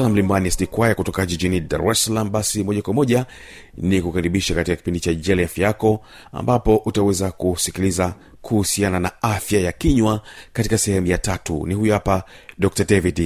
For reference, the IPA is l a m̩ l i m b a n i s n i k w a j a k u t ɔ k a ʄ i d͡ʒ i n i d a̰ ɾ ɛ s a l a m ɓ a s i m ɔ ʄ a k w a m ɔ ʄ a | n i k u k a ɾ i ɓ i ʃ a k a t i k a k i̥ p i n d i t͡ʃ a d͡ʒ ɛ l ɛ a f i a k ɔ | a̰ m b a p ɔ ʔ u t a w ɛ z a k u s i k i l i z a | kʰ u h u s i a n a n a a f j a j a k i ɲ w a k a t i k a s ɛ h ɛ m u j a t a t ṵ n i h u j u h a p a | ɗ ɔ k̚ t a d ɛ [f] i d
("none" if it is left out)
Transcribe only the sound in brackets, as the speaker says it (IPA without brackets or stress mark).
v